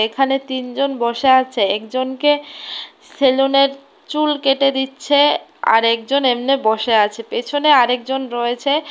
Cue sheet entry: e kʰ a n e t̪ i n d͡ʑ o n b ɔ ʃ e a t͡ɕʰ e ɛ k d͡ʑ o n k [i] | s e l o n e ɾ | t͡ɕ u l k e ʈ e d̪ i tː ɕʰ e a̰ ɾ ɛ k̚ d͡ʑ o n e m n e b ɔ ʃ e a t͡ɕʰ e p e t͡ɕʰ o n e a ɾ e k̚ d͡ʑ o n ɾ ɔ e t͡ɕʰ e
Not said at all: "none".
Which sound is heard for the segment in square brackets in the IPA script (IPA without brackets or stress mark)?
e